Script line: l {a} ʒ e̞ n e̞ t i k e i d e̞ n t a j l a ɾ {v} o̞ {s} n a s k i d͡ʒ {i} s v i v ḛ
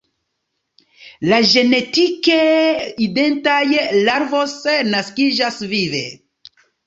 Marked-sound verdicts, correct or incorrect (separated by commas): correct, correct, correct, incorrect